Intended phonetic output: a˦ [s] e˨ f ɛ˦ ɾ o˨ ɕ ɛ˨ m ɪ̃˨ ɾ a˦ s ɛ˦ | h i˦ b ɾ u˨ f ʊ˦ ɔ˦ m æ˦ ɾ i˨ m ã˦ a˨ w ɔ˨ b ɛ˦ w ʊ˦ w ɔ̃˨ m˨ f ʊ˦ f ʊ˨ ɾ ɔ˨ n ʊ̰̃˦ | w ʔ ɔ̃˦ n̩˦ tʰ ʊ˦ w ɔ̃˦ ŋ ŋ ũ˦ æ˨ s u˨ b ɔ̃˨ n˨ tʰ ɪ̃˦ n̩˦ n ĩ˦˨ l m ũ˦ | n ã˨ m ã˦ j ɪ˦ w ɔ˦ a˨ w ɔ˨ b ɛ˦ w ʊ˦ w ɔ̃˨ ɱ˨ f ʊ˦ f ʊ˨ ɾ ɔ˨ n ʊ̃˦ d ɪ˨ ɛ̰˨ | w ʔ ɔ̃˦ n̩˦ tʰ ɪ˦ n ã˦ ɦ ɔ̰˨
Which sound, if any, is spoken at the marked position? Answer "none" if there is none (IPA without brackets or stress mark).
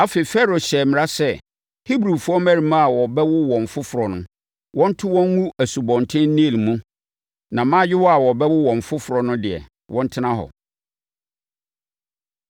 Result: f